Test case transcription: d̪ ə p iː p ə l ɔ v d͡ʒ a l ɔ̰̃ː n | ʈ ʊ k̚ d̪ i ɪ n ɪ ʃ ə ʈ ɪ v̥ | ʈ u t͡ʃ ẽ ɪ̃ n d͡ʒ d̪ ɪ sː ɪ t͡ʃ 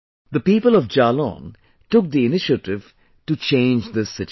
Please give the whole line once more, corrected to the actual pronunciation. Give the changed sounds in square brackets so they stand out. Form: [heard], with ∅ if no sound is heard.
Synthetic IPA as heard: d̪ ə p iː p ə l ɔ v d͡ʒ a l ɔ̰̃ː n | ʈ ʊ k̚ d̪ i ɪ n ɪ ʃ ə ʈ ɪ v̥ | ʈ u t͡ʃ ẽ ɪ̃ n d͡ʒ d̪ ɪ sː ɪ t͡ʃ